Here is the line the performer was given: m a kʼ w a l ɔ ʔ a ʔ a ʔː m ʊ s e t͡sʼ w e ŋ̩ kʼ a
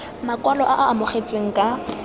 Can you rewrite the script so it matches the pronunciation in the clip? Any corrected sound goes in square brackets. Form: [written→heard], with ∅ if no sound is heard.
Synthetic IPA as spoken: m a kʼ w a l ɔ ʔ a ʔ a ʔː m ʊ [s→χ] e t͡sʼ w e ŋ̩ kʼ a